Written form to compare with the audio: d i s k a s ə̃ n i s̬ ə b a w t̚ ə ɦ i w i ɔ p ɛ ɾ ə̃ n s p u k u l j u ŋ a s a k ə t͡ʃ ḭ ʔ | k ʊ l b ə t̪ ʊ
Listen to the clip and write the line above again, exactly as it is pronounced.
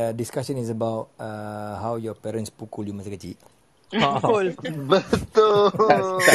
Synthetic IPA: d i s k a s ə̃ n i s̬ ə b a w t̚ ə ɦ a w j ɔ p ɛ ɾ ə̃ n s p u k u l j u m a s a k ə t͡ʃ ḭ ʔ | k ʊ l b ə t̪ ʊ